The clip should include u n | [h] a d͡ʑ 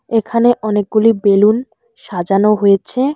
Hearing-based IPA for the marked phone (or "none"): ʃ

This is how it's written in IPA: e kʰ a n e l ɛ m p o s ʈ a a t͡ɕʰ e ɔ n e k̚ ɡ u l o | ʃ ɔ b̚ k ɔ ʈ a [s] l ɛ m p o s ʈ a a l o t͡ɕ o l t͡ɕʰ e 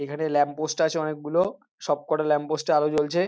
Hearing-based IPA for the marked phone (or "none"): none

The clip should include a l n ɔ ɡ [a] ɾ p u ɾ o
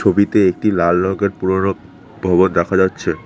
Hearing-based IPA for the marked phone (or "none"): e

